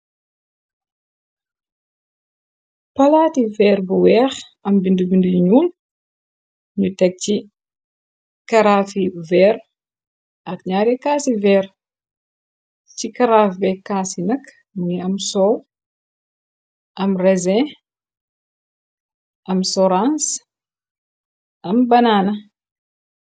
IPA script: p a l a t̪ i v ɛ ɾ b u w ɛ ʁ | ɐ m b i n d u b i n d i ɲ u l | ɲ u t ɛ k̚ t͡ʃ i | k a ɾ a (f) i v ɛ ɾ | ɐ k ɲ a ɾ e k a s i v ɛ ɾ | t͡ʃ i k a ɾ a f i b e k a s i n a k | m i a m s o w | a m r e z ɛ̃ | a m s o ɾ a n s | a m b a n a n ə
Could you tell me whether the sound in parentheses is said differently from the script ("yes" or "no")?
no